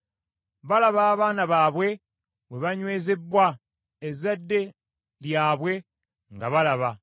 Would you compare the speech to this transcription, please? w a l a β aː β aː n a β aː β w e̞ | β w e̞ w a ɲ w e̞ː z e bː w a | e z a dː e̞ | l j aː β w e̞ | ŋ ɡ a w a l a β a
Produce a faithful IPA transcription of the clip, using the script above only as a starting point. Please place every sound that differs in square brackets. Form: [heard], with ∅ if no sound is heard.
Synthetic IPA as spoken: [β] a l a β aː β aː n a β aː β w e̞ | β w e̞ [β] a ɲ w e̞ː z e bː w a | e z a dː e̞ | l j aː β w e̞ | ŋ ɡ a [β] a l a β a